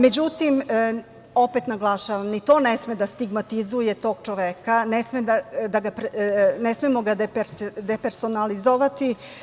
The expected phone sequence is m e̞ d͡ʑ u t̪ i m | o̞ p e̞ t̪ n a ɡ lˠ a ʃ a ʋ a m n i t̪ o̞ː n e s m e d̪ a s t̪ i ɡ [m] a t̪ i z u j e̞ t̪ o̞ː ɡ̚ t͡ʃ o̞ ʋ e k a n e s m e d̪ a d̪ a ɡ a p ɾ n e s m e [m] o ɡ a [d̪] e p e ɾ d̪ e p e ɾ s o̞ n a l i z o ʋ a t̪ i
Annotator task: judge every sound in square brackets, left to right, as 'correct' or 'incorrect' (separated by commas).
correct, correct, correct